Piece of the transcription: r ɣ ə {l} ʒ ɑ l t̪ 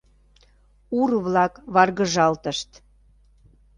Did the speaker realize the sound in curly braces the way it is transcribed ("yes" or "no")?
no